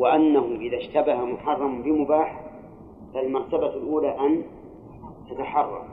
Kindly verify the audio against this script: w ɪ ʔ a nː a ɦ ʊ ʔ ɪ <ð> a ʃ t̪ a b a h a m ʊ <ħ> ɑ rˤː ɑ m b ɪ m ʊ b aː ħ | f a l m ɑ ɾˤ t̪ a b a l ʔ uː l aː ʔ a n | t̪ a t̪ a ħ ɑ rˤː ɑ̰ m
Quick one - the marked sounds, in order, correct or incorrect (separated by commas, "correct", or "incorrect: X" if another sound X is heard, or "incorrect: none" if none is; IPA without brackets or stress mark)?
correct, correct